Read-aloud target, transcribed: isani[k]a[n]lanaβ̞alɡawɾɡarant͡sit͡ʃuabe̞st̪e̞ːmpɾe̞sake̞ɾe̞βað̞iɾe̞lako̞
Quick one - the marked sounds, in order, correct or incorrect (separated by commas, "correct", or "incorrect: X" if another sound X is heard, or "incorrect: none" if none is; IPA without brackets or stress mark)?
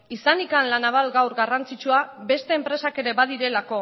correct, correct